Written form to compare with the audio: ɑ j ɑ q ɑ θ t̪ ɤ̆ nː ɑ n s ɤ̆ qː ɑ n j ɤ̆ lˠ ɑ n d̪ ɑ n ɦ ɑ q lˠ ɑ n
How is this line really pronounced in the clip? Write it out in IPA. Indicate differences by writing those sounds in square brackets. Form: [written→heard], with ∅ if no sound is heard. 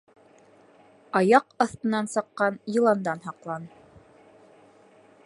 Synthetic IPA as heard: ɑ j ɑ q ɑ θ t̪ ɤ̆ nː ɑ n s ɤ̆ qː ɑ n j ɤ̆ lˠ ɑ n d̪ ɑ n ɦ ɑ q lˠ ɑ n